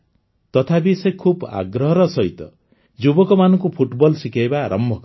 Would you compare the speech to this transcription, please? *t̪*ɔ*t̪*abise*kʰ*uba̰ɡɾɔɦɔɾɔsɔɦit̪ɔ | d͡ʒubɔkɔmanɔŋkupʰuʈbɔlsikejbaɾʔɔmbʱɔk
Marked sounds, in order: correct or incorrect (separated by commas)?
correct, incorrect, correct